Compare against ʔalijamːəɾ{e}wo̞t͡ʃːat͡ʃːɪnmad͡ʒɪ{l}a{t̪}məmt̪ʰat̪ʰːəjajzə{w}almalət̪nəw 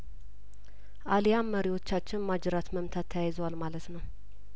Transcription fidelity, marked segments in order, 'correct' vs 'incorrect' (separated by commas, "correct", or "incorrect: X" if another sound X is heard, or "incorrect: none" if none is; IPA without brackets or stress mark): incorrect: i, incorrect: ɾ, correct, correct